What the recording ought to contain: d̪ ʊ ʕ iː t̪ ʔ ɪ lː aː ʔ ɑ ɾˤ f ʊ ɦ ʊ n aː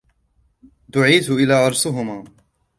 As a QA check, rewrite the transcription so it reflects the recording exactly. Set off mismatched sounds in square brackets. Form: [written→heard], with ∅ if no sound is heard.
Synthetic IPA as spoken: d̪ ʊ ʕ iː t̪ ʔ ɪ [lː→l] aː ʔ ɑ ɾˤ [f→s] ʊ ɦ ʊ [n→m] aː